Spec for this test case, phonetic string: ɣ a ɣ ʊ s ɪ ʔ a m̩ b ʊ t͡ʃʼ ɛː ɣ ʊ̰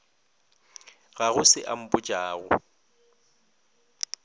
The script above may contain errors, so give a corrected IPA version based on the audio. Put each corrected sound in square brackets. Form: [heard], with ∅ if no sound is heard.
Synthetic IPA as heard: ɣ a ɣ ʊ s ɪ ʔ a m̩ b ʊ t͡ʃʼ [aː] ɣ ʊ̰